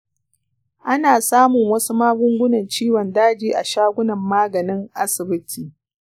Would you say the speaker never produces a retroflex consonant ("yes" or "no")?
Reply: yes